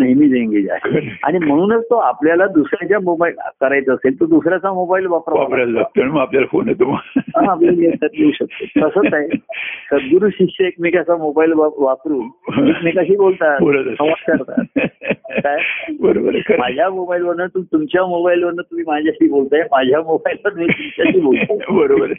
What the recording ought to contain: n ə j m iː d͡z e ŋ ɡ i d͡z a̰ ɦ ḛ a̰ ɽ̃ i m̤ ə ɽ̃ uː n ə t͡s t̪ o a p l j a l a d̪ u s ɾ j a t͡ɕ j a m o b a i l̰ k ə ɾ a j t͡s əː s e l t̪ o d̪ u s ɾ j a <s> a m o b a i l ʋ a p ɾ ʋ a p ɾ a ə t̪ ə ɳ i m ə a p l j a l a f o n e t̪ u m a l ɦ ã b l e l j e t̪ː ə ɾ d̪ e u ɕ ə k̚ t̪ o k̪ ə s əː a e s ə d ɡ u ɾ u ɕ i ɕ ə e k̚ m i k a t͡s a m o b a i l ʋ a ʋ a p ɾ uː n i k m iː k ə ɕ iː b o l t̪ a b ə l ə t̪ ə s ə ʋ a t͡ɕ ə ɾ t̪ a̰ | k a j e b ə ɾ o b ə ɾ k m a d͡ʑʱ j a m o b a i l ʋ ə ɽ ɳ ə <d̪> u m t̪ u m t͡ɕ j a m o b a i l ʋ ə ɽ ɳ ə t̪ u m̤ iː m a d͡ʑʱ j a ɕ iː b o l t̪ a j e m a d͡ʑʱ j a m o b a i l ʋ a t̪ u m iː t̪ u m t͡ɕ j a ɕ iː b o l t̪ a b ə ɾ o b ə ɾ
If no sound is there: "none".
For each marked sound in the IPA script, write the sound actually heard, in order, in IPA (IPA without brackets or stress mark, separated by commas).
t͡s, t̪